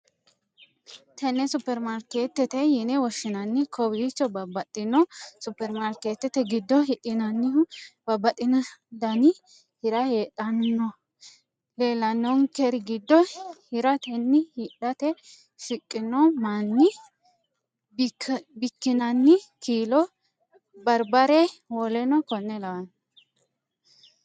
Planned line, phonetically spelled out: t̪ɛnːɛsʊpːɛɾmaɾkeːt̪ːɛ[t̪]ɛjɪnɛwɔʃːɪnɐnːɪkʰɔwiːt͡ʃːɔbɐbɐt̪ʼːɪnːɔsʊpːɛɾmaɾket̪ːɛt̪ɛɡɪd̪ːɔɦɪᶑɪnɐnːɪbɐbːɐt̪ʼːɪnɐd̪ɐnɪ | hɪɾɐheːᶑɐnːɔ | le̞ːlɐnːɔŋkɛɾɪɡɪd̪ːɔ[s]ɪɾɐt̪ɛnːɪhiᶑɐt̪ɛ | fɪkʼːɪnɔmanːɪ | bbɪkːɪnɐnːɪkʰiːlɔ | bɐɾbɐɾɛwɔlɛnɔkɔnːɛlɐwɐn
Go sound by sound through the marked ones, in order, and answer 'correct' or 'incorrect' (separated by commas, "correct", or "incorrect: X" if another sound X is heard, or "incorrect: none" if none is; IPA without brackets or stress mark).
correct, incorrect: h